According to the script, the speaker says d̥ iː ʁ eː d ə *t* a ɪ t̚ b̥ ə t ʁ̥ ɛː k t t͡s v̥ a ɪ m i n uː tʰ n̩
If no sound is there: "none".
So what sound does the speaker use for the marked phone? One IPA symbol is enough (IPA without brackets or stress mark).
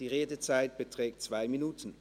t͡s